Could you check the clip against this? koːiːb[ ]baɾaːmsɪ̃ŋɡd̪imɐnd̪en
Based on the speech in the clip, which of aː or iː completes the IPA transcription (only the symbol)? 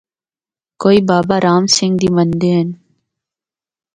aː